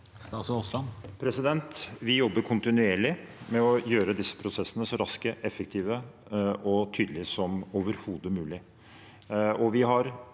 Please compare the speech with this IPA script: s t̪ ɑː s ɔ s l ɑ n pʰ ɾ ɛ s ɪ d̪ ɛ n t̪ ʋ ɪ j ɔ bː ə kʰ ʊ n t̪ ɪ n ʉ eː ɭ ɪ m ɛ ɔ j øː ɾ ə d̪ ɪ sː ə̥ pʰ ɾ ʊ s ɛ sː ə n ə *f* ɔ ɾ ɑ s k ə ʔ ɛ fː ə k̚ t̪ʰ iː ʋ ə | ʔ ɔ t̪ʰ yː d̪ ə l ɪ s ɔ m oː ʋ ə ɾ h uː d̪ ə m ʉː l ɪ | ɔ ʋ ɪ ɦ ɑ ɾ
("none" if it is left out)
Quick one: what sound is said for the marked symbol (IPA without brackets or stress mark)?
s